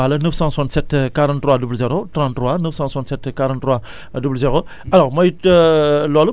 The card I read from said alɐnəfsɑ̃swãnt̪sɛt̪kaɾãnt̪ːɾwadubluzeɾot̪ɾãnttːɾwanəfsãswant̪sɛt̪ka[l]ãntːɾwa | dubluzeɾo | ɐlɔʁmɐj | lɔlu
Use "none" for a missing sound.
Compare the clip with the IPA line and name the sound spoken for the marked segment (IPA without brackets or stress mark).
ɾ